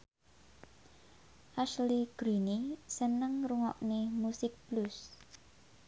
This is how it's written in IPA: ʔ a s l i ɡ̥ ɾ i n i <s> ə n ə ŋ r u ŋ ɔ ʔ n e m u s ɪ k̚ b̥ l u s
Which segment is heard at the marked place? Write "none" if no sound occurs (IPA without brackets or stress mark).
s